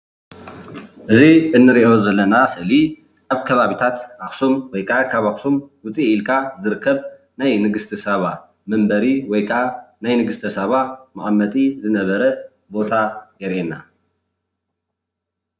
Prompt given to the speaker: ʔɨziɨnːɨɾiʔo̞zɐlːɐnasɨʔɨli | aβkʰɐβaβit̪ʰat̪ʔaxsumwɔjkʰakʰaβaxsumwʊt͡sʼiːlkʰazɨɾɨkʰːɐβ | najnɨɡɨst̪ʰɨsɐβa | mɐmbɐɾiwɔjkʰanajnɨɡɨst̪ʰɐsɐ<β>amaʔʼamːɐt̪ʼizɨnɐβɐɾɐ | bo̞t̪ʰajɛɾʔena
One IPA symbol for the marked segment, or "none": β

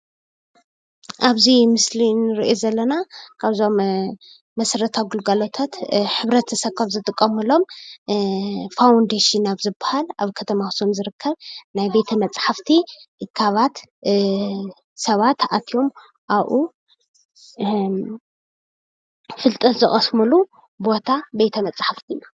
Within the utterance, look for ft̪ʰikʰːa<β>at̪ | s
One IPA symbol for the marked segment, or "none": β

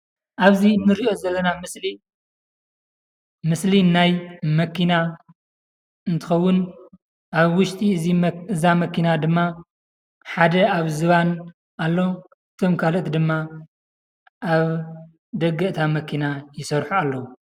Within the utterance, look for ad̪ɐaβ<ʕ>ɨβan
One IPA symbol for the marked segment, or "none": z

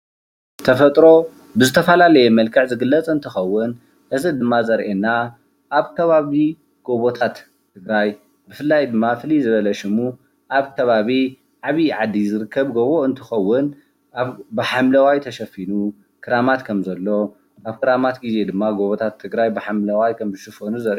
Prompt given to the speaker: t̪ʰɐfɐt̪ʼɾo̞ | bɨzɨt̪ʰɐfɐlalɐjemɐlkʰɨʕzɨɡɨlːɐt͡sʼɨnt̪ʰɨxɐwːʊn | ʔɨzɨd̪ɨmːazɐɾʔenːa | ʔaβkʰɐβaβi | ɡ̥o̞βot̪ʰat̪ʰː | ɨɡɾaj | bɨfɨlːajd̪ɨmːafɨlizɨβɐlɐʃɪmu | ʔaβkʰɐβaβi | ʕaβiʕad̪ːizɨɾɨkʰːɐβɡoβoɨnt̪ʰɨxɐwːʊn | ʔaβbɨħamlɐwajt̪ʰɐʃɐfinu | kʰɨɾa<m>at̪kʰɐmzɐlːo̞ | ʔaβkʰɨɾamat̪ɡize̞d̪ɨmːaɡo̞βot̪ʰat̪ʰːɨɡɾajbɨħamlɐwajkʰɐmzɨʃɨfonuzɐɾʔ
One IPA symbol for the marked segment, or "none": m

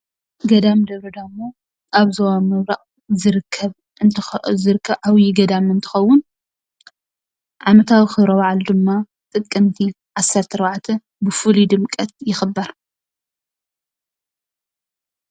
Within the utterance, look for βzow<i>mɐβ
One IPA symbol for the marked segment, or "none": a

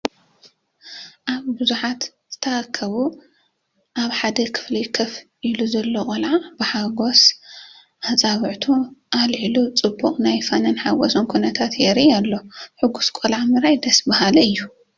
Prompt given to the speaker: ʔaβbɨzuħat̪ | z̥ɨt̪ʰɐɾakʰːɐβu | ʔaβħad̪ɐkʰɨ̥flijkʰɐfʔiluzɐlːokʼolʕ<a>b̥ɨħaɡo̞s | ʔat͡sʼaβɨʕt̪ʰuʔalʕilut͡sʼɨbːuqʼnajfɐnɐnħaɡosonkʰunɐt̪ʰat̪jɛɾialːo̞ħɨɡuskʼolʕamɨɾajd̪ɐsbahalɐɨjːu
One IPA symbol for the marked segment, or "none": a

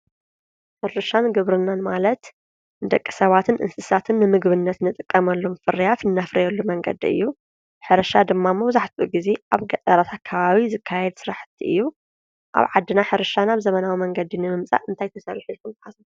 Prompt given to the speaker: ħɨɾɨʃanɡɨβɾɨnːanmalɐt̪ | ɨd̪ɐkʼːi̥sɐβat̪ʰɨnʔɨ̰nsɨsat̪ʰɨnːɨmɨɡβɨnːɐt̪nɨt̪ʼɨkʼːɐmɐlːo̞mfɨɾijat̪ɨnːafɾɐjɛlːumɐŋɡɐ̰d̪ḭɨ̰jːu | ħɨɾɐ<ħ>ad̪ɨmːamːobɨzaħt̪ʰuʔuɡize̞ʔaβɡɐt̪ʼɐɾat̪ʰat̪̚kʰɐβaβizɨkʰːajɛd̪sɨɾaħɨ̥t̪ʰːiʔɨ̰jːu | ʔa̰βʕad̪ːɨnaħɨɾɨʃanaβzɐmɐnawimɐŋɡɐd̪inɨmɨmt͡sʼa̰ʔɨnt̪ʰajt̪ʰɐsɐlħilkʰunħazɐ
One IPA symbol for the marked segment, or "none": ʃ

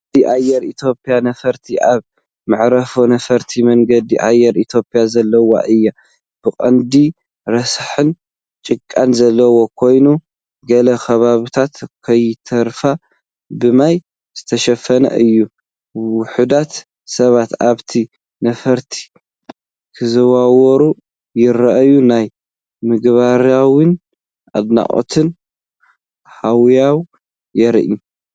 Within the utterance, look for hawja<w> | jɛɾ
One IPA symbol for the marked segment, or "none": w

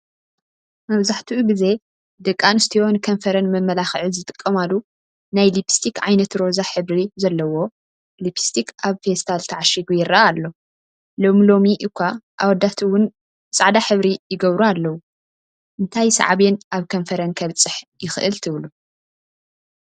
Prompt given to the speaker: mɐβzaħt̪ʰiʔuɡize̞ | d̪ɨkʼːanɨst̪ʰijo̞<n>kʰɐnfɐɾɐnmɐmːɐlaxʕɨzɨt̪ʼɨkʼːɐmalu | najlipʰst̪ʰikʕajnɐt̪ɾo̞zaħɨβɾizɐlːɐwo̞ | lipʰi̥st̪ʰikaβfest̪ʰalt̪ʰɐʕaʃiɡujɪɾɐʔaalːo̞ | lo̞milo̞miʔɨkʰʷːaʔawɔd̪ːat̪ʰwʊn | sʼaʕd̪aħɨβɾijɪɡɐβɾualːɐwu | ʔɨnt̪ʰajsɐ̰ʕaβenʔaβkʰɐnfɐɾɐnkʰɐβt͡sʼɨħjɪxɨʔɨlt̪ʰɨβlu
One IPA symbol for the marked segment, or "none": n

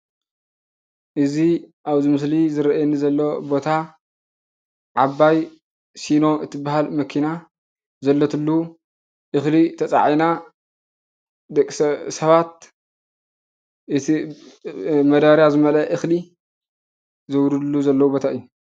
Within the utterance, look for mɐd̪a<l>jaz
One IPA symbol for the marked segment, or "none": ɾ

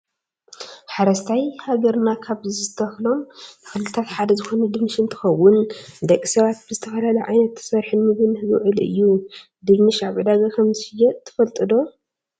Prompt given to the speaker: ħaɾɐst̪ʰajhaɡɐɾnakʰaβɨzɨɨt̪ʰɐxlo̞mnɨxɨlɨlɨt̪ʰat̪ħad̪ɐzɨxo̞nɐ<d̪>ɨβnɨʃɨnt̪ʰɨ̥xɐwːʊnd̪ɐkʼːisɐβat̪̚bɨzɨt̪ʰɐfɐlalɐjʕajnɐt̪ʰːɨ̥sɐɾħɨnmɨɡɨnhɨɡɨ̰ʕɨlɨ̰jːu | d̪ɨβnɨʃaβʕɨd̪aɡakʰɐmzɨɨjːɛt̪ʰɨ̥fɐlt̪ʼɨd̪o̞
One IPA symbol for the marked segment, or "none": d̪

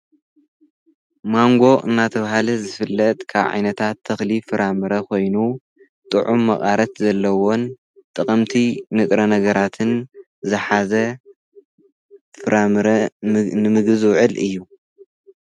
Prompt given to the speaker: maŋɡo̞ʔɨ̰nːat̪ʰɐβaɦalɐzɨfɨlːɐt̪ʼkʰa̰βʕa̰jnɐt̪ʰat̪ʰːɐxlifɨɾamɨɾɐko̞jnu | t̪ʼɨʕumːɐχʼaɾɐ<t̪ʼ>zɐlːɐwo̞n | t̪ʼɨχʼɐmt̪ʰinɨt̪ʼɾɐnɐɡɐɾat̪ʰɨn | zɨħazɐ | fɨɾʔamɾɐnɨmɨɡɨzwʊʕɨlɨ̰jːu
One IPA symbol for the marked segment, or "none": t̪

